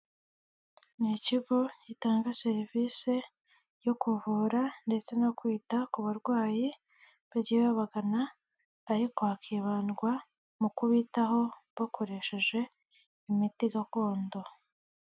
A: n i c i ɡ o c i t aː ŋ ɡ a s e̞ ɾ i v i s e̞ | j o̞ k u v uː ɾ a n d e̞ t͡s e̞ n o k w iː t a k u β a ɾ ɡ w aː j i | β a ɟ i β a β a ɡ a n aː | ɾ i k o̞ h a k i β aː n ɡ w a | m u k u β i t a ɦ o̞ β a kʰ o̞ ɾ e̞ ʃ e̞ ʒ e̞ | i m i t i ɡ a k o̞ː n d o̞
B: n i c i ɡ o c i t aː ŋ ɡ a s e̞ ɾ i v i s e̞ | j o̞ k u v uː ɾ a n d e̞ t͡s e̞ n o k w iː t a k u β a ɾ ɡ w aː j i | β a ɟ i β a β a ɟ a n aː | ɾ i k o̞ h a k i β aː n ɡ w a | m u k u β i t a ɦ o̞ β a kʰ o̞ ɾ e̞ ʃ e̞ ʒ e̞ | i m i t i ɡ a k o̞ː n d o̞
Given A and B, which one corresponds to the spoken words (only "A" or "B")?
A